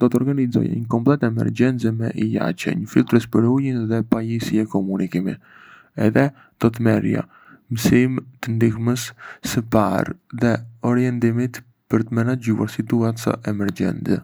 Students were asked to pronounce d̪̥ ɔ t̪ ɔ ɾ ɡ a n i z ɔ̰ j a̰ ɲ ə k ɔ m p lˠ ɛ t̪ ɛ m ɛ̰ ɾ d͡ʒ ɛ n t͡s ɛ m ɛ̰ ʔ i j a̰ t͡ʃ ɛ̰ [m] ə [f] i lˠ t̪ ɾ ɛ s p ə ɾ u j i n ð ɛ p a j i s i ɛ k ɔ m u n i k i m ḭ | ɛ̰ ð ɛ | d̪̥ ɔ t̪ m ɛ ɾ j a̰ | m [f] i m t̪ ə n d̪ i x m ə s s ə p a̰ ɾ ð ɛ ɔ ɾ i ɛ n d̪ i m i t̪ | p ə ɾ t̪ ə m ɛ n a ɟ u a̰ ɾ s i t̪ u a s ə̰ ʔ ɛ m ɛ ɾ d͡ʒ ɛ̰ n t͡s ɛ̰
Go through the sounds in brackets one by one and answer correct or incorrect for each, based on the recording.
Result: incorrect, correct, incorrect

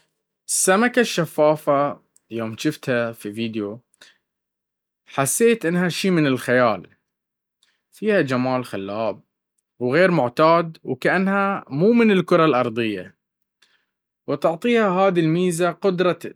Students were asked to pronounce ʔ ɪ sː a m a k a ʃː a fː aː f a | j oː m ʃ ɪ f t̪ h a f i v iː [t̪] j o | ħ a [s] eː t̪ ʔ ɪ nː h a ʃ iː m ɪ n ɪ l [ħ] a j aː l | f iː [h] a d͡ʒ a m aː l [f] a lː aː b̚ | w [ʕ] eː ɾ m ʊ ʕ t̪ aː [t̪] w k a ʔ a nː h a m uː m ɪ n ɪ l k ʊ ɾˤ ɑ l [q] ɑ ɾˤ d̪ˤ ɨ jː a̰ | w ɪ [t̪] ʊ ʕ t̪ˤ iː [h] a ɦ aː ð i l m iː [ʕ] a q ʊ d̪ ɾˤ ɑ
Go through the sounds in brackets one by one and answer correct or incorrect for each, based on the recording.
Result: incorrect, incorrect, incorrect, correct, incorrect, incorrect, incorrect, incorrect, correct, correct, incorrect

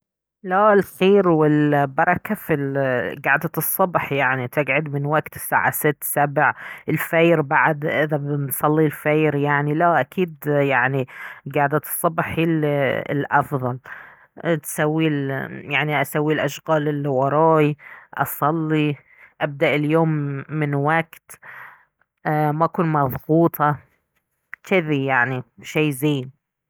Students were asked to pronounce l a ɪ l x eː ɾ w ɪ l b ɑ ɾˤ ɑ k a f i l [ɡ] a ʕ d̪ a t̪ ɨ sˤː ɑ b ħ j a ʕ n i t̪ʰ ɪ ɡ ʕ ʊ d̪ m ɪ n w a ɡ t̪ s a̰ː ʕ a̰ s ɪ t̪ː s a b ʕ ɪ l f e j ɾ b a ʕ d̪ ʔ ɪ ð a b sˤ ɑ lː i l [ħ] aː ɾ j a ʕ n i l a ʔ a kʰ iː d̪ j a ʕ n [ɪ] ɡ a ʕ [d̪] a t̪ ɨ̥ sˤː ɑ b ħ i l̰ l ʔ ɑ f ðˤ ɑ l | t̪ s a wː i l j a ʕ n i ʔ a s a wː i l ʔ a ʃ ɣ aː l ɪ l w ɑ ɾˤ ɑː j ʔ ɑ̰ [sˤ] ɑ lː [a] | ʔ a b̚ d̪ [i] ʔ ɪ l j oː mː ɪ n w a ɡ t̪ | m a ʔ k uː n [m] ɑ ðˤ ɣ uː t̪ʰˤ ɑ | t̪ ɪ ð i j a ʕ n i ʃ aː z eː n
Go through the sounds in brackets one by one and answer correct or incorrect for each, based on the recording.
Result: correct, incorrect, incorrect, correct, correct, incorrect, incorrect, correct

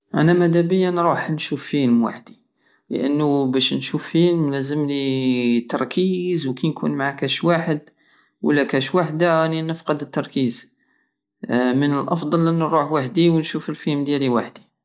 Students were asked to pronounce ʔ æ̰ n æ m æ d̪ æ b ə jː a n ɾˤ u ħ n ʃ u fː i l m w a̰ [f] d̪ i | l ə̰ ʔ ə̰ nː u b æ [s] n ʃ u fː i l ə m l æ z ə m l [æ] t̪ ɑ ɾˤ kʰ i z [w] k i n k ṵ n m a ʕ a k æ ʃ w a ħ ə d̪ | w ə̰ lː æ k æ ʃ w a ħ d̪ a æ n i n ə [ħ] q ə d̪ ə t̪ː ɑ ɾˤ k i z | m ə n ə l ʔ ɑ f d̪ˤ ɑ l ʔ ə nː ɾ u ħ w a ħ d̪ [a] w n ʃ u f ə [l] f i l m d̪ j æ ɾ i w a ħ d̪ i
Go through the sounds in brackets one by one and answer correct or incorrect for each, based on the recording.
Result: incorrect, incorrect, incorrect, correct, incorrect, incorrect, correct

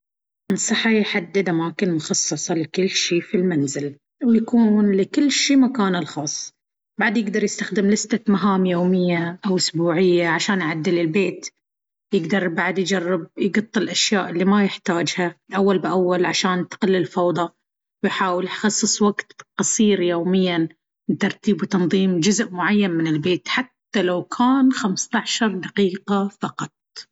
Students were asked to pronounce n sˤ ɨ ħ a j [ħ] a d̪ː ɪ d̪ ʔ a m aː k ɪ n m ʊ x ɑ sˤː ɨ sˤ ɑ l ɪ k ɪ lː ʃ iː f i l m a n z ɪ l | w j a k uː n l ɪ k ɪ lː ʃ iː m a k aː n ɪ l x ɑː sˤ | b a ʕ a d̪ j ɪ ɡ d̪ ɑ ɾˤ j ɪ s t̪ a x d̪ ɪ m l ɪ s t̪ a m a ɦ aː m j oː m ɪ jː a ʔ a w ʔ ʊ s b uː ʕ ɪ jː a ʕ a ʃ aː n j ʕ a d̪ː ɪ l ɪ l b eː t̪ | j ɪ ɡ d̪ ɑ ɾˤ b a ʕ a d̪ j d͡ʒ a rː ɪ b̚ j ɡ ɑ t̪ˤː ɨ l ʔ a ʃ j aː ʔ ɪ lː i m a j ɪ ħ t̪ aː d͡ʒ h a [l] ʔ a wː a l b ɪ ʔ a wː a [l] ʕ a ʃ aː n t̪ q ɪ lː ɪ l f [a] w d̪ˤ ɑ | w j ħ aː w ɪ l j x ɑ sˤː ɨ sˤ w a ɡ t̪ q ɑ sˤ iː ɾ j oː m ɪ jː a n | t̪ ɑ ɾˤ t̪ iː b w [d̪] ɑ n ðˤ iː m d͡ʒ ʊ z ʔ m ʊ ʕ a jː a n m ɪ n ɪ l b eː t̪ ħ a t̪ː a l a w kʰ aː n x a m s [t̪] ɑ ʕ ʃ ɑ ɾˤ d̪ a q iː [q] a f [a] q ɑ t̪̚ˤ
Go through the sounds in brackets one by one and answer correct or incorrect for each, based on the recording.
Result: correct, correct, correct, incorrect, incorrect, correct, correct, incorrect

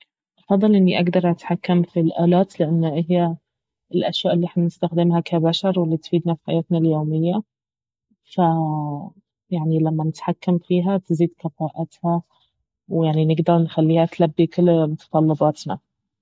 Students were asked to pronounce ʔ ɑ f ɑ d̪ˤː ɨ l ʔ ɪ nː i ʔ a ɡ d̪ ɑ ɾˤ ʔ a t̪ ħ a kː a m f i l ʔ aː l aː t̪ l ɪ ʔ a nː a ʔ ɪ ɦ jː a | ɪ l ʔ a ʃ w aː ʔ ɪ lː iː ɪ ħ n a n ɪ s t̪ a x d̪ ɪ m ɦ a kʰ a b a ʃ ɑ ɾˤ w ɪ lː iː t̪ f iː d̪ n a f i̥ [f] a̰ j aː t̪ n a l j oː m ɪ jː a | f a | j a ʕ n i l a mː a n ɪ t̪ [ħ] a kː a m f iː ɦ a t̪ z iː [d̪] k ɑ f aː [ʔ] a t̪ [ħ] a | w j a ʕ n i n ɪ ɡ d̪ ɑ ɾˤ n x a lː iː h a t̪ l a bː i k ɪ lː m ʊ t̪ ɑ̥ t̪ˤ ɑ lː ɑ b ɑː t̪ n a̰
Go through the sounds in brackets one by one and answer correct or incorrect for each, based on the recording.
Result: incorrect, correct, correct, correct, incorrect

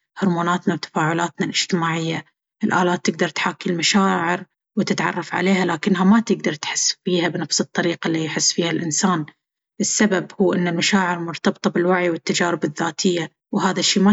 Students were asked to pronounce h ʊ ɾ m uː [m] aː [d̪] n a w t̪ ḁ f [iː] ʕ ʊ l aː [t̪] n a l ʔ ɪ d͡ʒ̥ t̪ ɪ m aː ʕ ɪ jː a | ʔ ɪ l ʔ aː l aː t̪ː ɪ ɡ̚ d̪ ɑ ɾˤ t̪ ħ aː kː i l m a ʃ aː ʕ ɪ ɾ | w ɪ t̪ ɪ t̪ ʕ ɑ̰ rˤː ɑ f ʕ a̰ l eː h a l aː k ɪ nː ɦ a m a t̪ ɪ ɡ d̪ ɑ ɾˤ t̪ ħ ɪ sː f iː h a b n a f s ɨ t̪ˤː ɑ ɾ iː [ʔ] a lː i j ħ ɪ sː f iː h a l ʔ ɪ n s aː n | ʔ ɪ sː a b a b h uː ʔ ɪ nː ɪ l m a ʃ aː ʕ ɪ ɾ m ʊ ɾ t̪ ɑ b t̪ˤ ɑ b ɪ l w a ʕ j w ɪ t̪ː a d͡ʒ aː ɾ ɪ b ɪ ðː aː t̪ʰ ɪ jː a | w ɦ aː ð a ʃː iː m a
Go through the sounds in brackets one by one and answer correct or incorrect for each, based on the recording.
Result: incorrect, incorrect, incorrect, correct, incorrect

